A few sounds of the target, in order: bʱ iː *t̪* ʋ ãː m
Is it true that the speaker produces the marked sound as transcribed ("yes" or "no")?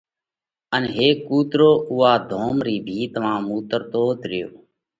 yes